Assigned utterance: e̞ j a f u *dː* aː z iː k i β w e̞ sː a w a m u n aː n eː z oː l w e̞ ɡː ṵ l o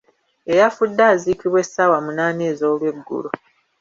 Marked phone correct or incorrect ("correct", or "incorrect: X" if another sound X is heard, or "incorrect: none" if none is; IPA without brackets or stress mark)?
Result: correct